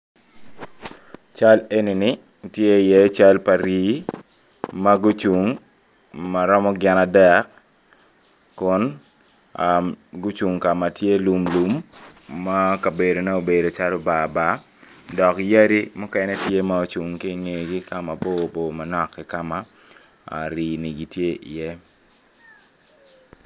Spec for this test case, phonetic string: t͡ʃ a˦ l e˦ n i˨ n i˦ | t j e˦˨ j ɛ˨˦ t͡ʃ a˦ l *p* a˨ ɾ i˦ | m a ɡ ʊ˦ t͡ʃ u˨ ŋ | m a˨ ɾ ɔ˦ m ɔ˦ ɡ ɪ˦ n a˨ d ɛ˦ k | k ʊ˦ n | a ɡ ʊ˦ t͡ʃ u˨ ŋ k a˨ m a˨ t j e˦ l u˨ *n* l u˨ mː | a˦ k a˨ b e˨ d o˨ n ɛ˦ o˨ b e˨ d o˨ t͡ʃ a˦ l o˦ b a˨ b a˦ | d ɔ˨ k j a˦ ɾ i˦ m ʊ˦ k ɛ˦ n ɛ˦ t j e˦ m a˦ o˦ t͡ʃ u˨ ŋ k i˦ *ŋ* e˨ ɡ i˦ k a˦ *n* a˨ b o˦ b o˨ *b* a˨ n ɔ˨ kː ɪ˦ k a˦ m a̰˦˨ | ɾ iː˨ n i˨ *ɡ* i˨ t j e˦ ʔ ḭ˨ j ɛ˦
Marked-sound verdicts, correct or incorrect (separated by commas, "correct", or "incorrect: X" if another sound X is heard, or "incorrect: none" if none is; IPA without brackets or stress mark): correct, incorrect: m, correct, incorrect: m, incorrect: m, correct